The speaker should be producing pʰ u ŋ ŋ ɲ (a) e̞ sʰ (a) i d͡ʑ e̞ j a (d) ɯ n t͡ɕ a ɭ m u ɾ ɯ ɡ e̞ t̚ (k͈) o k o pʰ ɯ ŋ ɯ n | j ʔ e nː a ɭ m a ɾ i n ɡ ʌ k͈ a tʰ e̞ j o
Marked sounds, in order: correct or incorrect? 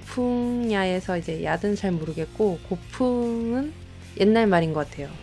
correct, incorrect, correct, correct

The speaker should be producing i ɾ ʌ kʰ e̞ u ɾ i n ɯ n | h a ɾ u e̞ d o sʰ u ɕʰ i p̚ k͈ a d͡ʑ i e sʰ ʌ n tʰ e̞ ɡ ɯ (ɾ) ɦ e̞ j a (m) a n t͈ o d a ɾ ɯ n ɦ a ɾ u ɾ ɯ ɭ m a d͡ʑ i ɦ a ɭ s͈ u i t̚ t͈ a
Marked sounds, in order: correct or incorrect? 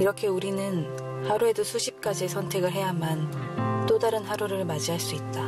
incorrect, correct

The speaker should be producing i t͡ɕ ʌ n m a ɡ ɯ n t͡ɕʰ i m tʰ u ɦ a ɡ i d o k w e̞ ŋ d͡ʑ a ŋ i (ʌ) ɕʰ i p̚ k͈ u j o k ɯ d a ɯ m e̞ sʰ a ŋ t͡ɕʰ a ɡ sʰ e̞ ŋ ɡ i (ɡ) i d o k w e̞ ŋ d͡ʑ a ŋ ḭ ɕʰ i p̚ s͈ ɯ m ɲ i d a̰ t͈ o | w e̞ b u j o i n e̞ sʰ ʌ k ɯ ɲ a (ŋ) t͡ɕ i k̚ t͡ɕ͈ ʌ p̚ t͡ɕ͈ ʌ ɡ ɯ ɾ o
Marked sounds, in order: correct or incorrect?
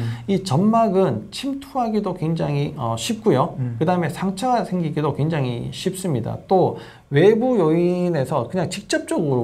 correct, correct, correct

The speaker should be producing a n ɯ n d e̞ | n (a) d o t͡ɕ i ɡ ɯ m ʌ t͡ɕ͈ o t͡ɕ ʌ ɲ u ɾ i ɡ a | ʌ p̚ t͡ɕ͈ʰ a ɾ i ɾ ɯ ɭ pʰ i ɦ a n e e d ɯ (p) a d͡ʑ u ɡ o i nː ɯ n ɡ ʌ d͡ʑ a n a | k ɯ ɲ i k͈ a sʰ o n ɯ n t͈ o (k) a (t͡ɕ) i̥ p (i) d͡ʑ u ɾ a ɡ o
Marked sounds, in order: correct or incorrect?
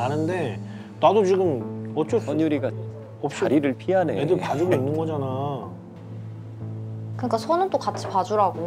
correct, correct, correct, incorrect, incorrect

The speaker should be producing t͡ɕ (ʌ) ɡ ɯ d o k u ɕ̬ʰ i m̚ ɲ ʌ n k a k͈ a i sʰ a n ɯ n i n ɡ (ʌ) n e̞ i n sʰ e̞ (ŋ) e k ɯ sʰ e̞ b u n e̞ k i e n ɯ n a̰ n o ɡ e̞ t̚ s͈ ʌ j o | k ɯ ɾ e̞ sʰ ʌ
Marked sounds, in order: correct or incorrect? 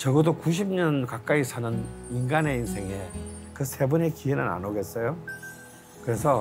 correct, incorrect, correct

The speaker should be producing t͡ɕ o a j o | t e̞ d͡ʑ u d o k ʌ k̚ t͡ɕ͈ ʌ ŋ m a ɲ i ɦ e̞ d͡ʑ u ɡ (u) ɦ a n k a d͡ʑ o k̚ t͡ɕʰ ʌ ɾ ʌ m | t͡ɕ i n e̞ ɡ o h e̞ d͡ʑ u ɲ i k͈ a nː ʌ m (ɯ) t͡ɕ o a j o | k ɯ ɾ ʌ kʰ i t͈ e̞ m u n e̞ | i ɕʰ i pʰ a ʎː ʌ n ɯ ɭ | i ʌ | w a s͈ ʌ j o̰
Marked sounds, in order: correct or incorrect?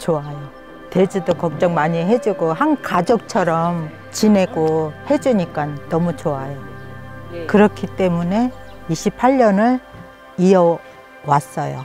incorrect, incorrect

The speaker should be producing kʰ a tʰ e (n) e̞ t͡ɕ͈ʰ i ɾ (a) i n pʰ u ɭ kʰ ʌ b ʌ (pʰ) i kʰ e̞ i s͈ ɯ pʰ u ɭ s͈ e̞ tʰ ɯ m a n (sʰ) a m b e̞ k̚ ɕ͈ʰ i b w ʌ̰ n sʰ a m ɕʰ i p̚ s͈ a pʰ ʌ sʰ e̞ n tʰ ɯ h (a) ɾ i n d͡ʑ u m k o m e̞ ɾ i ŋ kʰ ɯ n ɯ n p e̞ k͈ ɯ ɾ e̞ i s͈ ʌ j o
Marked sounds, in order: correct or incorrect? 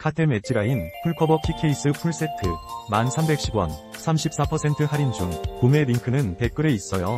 incorrect, correct, correct, correct, correct

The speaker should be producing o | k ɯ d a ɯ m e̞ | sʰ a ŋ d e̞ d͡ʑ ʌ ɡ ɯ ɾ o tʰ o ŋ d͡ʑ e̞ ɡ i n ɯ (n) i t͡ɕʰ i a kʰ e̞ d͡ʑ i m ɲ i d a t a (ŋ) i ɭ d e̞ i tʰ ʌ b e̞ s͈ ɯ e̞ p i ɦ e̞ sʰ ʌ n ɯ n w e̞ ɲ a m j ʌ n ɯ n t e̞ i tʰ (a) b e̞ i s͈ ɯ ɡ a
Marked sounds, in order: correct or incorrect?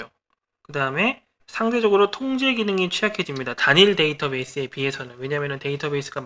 incorrect, incorrect, incorrect

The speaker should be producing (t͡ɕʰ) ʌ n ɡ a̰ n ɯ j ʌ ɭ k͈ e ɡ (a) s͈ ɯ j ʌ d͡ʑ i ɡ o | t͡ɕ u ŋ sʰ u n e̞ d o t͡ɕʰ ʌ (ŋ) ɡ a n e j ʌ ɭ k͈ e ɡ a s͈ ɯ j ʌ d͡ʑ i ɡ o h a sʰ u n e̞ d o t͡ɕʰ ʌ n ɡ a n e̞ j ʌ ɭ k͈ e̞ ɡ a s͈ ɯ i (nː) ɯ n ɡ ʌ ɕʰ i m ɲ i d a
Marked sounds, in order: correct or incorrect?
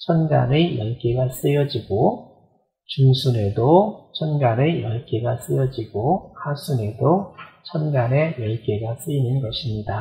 correct, correct, incorrect, incorrect

